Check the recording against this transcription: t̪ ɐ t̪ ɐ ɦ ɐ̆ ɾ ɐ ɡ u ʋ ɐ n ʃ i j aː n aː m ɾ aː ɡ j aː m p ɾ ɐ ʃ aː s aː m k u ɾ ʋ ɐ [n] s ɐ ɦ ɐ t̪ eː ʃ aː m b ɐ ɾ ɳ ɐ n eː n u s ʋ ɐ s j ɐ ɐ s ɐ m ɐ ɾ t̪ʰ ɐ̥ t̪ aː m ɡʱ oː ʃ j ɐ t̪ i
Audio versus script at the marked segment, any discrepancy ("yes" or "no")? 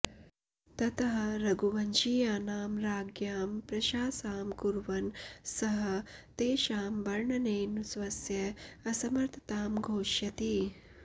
no